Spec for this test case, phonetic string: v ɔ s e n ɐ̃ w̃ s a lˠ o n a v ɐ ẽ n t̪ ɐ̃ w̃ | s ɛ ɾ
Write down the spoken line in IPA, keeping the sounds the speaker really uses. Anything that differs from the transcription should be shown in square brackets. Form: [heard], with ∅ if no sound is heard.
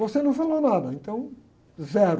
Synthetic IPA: v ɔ s e n ɐ̃ w̃ [f] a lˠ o n a [ð] ɐ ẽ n t̪ ɐ̃ w̃ | [z] ɛ ɾ